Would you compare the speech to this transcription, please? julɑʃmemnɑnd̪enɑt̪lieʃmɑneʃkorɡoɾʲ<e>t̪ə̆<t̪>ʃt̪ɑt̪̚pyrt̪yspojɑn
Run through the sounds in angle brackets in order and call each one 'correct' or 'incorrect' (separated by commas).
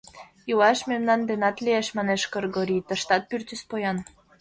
incorrect, incorrect